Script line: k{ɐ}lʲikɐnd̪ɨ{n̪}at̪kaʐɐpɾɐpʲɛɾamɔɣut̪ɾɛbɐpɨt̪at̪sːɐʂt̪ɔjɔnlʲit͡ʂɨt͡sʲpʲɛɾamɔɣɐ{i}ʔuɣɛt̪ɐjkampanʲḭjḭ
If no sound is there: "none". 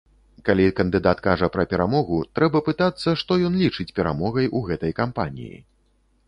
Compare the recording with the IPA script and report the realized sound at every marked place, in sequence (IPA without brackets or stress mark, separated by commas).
a, d̪, j